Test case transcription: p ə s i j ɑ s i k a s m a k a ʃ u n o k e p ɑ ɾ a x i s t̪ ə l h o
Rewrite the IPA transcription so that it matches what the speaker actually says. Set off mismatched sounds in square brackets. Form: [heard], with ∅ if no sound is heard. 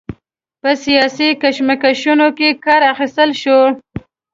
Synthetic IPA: p ə s i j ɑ s i k a [ʃ] m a k a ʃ u n o k e [k] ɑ ɾ a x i s t̪ ə l [ʃ] o